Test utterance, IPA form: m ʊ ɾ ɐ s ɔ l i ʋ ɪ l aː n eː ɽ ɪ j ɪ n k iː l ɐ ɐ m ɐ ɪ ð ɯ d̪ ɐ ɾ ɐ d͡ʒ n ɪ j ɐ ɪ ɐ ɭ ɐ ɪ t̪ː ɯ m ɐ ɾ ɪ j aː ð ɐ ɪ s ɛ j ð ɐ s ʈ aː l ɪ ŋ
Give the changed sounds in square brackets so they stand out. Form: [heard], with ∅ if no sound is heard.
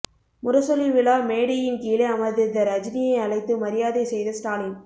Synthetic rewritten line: m ʊ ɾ ɐ s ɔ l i ʋ ɪ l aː [m] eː ɽ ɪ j ɪ n k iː l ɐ ɐ m ɐ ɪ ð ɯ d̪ ɐ ɾ ɐ d͡ʒ n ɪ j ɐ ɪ ɐ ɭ ɐ ɪ t̪ː ɯ m ɐ ɾ ɪ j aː ð ɐ ɪ s ɛ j ð ɐ s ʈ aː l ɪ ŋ